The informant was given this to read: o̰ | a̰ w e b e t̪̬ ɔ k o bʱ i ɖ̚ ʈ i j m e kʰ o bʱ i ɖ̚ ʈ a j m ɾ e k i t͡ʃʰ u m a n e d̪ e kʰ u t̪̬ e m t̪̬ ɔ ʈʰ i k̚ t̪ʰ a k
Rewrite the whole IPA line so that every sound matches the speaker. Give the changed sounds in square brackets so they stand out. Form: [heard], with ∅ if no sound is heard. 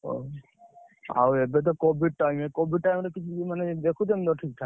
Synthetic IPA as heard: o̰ | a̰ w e b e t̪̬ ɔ k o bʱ i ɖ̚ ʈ [a] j m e [k] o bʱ i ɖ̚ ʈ a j m ɾ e k i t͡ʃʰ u m a n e d̪ e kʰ u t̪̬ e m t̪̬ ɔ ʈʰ i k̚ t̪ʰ a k